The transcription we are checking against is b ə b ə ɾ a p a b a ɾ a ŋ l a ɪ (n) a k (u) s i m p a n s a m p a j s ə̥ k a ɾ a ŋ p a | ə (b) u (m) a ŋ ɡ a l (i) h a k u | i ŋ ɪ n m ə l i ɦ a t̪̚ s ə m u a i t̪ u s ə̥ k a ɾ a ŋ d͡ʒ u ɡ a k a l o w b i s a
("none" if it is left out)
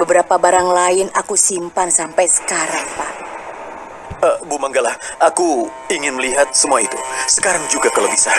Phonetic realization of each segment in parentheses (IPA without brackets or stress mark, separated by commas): n, u, b, m, a